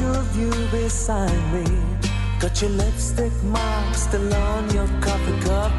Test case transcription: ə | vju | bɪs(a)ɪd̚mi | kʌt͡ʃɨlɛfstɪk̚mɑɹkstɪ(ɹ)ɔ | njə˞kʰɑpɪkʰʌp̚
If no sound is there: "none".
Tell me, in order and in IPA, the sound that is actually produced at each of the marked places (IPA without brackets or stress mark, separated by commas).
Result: a, l